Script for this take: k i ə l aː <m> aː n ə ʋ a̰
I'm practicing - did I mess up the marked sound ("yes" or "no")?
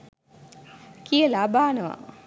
yes